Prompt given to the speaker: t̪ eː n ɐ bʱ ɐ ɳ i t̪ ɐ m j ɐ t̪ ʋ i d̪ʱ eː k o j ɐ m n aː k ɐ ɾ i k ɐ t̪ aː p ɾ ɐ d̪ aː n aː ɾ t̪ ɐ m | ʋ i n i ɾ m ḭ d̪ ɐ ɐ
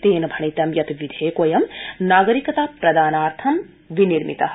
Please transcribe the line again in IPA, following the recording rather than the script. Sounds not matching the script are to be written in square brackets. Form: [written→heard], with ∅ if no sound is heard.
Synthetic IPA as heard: t̪ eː n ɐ bʱ ɐ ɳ i t̪ ɐ m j ɐ t̪ ʋ i d̪ʱ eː k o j ɐ m n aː [k→ɡ] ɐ ɾ i k ɐ t̪ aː p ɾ ɐ d̪ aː n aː ɾ [t̪→t̪ʰ] ɐ m | ʋ i n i ɾ m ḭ [d̪→t̪] ɐ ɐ